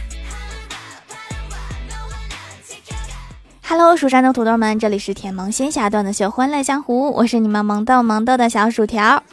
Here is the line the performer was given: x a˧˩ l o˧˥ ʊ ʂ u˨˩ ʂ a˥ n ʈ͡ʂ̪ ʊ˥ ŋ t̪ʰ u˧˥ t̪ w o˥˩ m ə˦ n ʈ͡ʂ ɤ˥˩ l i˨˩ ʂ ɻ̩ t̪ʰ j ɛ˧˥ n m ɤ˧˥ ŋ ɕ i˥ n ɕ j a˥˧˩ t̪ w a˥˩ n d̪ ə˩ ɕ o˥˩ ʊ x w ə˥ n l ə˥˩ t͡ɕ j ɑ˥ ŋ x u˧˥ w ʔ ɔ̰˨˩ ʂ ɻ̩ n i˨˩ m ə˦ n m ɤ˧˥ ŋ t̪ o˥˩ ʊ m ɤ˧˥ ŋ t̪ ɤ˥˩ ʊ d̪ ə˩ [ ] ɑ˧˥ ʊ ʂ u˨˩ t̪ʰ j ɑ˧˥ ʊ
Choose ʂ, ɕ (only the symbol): ɕ